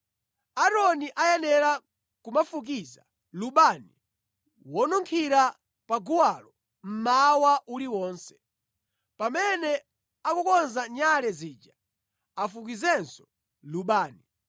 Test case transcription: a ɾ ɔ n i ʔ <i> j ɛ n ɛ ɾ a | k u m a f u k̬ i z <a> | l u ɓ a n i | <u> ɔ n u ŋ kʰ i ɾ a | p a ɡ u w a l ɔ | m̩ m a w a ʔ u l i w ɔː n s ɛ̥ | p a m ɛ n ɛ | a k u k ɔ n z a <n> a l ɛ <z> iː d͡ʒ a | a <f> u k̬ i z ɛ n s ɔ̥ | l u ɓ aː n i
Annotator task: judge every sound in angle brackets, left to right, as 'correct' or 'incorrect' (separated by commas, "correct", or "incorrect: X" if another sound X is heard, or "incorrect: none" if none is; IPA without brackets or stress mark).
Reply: incorrect: a, correct, incorrect: w, incorrect: ɲ, correct, correct